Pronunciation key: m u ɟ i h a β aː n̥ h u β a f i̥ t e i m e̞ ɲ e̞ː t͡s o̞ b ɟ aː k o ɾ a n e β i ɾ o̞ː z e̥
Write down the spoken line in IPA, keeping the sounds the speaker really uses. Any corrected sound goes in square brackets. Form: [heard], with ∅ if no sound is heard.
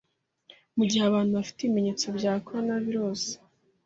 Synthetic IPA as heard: m u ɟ i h a β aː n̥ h u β a f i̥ t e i m e̞ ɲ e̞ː t͡s o̞ b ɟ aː k o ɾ a n [a] β i ɾ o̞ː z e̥